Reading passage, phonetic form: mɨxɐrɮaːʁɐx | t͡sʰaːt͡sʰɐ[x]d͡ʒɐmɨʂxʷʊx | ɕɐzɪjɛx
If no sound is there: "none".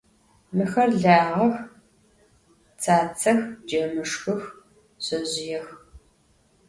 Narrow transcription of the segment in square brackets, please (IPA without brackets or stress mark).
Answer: x